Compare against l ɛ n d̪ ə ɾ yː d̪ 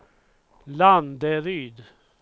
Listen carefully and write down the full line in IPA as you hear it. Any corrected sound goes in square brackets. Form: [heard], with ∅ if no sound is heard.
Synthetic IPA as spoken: l [a] n d̪ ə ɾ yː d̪